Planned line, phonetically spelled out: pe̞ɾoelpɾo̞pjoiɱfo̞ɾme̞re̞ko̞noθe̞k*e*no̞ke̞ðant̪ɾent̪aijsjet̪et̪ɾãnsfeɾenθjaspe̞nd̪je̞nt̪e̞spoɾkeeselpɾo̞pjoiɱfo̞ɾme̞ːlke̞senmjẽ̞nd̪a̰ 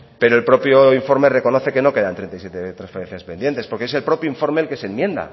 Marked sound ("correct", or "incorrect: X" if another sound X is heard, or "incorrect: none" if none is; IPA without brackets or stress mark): correct